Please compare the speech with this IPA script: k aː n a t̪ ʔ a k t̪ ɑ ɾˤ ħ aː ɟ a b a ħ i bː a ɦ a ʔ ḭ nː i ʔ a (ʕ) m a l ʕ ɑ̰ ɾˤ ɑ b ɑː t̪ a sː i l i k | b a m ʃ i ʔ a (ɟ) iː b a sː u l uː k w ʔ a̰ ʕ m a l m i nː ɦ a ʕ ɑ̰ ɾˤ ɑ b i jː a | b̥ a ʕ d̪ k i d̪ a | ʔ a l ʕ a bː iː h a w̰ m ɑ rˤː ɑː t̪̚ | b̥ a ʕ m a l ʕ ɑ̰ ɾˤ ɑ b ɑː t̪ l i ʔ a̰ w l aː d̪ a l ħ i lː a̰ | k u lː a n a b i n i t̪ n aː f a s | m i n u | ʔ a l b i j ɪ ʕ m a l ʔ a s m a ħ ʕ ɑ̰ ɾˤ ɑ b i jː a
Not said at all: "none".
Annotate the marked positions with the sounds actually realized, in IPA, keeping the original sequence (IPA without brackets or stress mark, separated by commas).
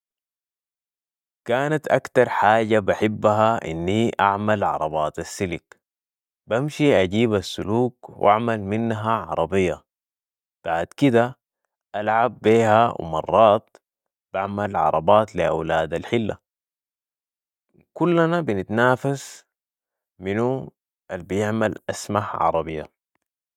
ʕ, ɟ